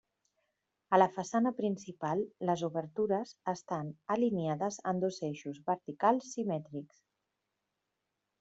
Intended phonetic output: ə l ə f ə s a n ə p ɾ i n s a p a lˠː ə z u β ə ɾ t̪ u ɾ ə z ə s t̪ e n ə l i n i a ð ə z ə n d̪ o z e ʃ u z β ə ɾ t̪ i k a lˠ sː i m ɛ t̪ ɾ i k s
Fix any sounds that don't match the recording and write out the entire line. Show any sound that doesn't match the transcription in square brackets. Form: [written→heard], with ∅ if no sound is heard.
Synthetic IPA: ə l ə f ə s a n ə p ɾ i n s [a→i] p a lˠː ə z u β ə ɾ t̪ u ɾ ə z ə s t̪ [e→a] n ə l i n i a ð ə z ə n d̪ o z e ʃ u z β ə ɾ t̪ i k a lˠ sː i m ɛ t̪ ɾ i k s